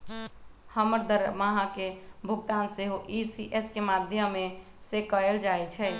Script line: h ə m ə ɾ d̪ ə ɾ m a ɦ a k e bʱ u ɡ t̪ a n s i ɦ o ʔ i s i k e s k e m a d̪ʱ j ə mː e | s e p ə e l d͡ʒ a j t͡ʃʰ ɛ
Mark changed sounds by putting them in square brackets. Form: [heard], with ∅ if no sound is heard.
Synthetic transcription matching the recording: h ə m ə ɾ d̪ ə ɾ m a ɦ a k e bʱ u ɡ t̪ a n s [e] ɦ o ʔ i s i [ʔ] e s k e m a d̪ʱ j ə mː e | s e [k] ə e l d͡ʒ a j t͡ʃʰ ɛ